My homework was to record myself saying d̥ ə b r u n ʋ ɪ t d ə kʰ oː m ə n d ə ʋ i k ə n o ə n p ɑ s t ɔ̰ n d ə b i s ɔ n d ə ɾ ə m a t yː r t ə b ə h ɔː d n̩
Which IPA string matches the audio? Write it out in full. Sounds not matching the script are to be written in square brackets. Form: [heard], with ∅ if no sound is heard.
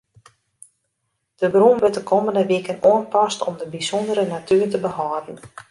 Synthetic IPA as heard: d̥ ə b r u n ʋ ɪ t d ə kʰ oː m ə n d ə ʋ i k ə n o ə n p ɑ s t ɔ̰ [m] d ə b i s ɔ n d ə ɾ ə [n] a t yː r t ə b ə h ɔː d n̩